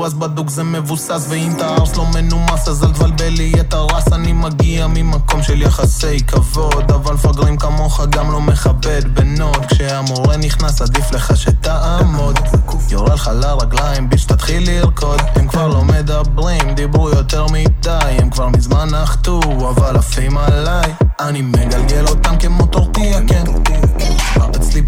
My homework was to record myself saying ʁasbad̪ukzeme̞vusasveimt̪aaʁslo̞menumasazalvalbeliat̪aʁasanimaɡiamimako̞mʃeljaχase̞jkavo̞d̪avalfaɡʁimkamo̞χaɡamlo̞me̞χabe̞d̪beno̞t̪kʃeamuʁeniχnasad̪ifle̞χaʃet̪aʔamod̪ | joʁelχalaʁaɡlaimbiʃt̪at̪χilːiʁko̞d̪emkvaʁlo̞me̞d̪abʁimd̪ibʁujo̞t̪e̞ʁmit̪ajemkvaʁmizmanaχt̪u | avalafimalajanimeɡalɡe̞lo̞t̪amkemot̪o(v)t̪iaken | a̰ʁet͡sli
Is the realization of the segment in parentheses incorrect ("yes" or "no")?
yes